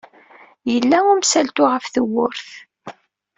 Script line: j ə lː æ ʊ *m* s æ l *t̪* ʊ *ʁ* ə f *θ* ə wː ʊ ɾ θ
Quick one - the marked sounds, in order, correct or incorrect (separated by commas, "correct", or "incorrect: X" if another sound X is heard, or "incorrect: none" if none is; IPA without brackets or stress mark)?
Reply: correct, correct, correct, correct